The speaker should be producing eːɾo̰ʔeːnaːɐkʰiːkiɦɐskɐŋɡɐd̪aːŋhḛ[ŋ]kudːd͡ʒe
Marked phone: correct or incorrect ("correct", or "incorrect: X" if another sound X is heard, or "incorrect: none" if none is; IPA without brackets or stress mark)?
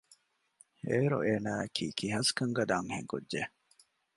correct